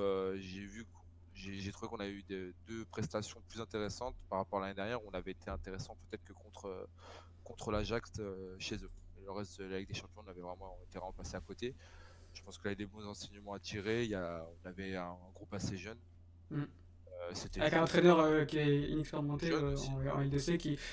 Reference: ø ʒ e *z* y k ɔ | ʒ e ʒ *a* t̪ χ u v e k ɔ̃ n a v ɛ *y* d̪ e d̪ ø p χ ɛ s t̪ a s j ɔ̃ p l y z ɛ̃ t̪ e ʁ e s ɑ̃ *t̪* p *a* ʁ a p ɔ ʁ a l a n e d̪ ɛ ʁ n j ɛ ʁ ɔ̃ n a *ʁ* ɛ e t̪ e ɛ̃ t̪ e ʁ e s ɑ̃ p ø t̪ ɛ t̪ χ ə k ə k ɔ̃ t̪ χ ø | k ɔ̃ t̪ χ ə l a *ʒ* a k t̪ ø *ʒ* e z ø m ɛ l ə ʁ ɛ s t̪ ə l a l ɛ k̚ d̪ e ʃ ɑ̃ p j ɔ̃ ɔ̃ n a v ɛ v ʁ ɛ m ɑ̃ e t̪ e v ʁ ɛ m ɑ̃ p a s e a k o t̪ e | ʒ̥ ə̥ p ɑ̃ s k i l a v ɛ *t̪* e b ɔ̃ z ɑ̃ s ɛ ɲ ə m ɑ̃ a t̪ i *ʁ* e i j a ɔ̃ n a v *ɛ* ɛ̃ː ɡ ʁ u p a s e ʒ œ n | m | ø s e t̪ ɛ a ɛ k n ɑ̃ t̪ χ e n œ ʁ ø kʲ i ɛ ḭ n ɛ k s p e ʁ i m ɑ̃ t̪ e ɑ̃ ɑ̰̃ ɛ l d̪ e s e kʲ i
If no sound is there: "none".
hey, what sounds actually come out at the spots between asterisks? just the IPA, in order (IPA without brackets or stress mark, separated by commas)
v, e, y, t̪, a, v, ʒ, ʃ, d̪, ʁ, ɛ